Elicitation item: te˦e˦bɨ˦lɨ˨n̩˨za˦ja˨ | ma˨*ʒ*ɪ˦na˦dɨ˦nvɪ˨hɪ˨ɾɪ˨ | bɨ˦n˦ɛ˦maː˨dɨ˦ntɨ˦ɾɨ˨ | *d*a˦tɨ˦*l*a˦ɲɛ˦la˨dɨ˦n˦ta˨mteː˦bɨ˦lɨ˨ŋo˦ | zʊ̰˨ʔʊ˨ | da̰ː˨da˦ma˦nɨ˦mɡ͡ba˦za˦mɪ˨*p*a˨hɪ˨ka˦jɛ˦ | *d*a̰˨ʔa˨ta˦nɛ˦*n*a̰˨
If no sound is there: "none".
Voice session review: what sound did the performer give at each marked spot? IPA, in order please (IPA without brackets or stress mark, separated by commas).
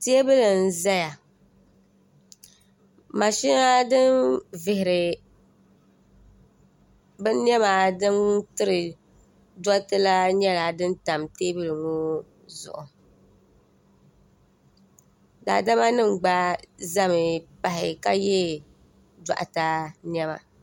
ʃ, d, l, p, d, m